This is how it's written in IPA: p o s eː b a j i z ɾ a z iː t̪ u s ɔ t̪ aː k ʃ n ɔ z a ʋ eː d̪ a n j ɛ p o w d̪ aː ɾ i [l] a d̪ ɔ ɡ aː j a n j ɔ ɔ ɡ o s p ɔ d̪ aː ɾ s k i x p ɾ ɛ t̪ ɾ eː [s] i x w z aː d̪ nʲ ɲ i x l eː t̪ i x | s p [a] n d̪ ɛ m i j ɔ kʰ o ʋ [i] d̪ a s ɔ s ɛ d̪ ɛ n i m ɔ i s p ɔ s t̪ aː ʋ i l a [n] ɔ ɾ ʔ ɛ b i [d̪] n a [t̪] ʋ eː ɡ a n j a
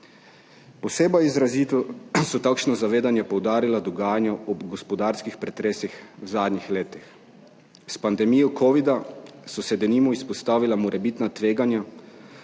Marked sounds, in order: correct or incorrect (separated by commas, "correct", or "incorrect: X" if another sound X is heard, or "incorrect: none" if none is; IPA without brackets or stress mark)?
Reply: correct, correct, correct, correct, incorrect: m, incorrect: t̪, correct